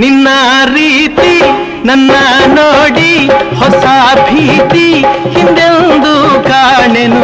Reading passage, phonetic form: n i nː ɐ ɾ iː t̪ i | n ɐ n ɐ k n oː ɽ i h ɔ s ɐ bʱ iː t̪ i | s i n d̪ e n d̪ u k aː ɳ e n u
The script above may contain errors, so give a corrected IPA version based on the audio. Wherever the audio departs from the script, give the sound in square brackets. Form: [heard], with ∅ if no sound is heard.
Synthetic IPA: n i nː ɐ ɾ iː t̪ i | n ɐ [nː] ɐ [∅] n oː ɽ i h ɔ s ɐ bʱ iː t̪ i | [h] i n d̪ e n d̪ u k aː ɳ e n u